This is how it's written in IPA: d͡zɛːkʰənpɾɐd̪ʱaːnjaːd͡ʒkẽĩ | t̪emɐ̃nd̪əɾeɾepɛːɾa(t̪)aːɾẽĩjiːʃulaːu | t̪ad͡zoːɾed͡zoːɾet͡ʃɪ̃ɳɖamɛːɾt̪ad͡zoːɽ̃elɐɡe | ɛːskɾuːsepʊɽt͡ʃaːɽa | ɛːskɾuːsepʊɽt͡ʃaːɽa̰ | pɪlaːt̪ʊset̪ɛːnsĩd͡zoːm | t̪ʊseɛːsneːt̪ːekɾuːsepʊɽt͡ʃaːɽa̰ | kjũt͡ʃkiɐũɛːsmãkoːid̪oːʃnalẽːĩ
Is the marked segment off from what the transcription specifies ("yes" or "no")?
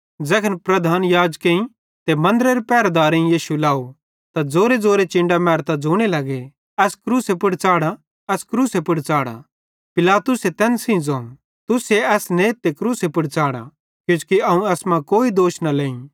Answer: yes